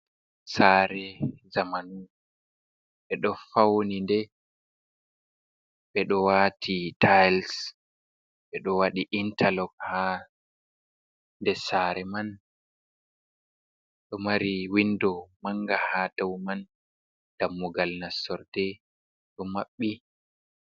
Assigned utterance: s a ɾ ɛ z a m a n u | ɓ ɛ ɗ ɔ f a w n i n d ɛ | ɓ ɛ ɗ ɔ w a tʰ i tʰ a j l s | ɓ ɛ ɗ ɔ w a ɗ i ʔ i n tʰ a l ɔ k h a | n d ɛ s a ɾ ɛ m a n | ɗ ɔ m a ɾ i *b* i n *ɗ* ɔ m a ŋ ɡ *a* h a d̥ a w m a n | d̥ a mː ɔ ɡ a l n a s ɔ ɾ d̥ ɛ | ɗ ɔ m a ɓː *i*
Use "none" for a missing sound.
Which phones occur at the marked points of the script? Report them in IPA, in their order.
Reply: w, d, a, i

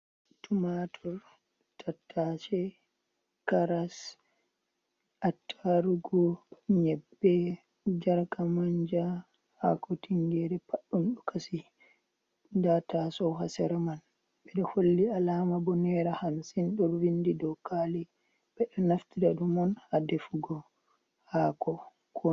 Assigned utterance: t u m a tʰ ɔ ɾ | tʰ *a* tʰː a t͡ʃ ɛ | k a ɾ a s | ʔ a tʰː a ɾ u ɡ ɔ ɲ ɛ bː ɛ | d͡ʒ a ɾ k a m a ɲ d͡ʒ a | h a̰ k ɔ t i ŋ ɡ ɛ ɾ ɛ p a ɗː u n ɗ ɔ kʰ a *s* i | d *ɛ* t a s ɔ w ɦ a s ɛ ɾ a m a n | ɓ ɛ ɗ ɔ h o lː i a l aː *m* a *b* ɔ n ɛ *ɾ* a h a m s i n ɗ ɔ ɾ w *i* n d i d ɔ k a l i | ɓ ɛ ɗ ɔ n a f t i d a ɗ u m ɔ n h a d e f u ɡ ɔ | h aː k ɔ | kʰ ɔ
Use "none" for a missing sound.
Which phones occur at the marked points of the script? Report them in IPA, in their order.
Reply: a, s, a, m, b, ɾ, i

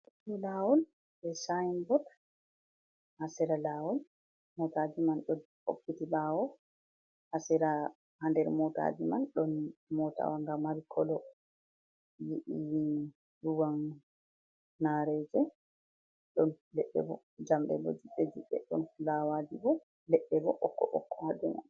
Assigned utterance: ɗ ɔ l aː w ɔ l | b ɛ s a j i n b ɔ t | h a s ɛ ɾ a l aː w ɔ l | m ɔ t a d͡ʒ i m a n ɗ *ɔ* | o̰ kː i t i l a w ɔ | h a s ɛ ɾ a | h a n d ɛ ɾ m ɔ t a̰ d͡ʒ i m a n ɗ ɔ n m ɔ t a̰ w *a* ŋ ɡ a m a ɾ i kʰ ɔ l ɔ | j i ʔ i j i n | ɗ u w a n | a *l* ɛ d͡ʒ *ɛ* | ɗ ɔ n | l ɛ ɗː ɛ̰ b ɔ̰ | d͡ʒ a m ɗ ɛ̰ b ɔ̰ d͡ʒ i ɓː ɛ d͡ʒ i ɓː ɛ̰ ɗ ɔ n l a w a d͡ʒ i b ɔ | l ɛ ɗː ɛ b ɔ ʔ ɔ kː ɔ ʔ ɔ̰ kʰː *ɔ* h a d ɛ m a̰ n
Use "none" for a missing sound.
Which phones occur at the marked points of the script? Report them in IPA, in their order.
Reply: ɔ, a, ɾ, ɛ, ɔ

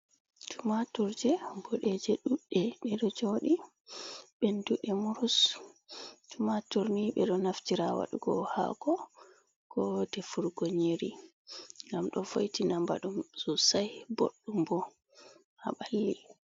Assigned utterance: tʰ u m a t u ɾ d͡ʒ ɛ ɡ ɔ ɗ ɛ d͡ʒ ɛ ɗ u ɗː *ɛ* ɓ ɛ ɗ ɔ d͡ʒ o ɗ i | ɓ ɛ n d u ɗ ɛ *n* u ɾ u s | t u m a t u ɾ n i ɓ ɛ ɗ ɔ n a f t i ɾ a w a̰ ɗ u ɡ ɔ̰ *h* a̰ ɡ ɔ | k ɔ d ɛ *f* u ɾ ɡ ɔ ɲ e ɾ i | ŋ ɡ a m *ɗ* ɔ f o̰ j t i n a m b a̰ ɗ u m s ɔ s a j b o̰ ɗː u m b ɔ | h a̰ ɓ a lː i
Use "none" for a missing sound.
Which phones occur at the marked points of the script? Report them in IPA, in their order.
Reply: ɛ, m, h, f, ɗ

